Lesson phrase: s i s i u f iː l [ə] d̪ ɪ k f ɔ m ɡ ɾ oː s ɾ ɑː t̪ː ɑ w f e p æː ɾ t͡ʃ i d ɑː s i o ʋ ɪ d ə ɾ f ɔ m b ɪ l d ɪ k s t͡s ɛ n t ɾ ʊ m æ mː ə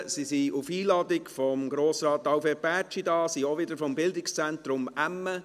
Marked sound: incorrect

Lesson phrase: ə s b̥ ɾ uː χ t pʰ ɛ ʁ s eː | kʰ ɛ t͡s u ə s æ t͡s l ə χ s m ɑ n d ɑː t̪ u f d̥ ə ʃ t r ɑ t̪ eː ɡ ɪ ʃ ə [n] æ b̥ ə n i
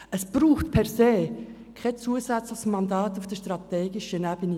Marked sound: correct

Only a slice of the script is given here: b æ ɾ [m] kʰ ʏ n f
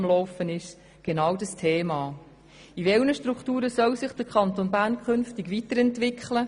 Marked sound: incorrect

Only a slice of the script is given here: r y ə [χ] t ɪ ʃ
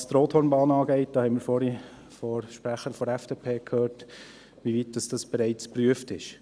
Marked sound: incorrect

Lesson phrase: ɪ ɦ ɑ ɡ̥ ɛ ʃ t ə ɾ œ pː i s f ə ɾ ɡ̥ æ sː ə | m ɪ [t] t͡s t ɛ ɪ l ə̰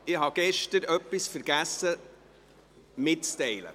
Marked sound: correct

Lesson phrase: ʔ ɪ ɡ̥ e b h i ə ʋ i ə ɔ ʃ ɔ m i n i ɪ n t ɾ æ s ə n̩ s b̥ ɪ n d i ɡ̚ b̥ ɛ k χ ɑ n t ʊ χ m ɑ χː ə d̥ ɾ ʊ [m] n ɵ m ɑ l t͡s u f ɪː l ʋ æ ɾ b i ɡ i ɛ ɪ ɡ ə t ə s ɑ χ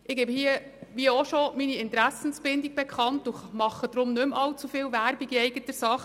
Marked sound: correct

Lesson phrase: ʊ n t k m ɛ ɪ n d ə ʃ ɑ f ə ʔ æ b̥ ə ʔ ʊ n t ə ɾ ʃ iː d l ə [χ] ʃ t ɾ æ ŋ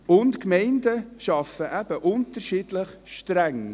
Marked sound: correct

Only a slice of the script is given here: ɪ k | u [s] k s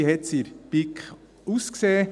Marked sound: correct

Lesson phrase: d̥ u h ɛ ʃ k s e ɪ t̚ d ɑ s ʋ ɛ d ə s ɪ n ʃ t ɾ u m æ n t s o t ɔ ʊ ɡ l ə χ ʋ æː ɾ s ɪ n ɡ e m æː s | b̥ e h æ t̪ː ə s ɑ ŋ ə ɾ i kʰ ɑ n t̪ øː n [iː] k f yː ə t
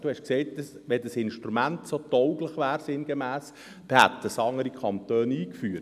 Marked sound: correct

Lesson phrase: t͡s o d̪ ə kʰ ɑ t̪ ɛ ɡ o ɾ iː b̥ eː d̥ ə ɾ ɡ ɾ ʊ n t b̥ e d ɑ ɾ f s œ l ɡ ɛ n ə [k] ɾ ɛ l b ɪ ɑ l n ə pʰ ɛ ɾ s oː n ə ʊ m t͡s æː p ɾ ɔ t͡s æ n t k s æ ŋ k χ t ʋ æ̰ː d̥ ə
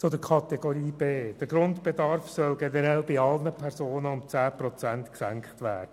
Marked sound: incorrect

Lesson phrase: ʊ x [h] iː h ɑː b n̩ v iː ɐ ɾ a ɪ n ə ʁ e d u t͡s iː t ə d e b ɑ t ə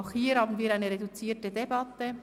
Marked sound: correct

